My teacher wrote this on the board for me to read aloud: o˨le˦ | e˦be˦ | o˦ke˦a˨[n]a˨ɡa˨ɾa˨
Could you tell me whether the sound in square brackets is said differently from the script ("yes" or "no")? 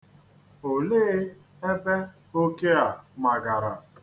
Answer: yes